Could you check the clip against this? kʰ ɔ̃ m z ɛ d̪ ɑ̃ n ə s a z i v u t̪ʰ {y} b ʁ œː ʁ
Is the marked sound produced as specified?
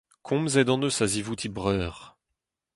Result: no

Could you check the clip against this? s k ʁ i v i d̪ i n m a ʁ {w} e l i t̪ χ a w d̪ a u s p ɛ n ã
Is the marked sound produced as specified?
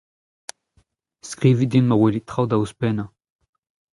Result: yes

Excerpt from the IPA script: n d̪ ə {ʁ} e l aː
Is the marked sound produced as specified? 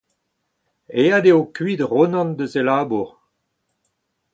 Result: no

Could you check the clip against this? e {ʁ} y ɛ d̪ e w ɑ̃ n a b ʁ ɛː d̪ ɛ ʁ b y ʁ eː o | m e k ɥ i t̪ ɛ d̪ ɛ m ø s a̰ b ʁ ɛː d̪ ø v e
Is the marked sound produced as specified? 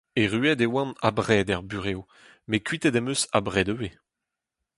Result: yes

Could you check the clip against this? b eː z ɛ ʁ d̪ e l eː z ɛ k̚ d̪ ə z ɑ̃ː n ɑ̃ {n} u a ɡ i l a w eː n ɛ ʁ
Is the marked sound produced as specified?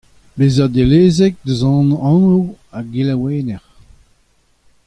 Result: yes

